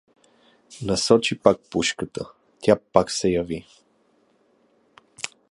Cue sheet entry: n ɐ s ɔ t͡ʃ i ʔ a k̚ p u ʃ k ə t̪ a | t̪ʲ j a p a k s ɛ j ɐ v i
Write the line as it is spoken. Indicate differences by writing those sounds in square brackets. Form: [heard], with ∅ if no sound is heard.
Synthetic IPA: n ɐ s ɔ t͡ʃ i [p] a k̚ p u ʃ k ə t̪ [ə] | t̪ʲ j a p a k s ɛ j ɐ v i